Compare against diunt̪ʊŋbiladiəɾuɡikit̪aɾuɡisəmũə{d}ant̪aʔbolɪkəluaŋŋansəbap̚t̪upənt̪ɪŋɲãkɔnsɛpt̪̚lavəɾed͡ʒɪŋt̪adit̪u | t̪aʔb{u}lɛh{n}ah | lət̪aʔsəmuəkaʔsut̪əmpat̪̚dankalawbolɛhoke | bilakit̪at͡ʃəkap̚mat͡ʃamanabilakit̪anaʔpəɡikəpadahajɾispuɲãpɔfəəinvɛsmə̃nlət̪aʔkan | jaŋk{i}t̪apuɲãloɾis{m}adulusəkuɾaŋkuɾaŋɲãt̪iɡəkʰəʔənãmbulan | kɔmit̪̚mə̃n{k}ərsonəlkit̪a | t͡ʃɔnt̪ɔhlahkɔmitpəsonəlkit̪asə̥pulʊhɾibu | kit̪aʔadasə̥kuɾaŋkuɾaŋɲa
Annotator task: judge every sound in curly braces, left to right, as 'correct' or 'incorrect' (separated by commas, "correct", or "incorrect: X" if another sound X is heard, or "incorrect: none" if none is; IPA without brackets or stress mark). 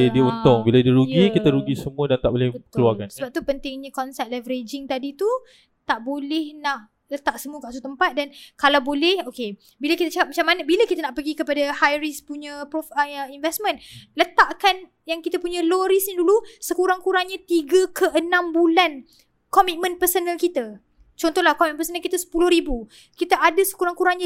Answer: correct, incorrect: o, correct, correct, incorrect: ɲ, incorrect: p